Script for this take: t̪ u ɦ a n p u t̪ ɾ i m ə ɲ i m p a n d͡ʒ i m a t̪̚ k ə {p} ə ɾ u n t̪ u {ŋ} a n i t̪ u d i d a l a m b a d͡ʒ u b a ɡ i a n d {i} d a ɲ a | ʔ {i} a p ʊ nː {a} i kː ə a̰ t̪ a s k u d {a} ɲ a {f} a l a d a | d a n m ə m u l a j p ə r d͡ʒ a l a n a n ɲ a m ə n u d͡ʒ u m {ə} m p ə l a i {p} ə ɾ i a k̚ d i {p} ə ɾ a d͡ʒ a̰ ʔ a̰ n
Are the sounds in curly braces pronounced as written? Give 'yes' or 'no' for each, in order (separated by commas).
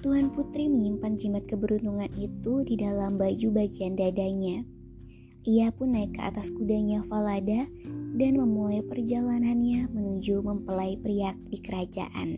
no, yes, no, yes, yes, yes, yes, yes, yes, no